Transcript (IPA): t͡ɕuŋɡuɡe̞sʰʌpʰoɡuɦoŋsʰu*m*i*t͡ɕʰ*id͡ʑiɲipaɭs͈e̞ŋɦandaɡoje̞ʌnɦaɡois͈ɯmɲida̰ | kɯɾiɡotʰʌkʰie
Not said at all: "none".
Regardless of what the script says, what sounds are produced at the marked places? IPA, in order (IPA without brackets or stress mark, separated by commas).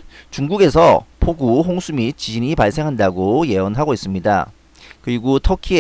m, t͡ɕ